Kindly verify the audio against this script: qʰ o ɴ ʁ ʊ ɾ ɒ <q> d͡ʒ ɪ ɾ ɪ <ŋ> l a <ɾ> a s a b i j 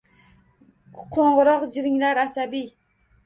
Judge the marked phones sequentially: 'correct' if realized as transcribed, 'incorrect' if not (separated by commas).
correct, correct, correct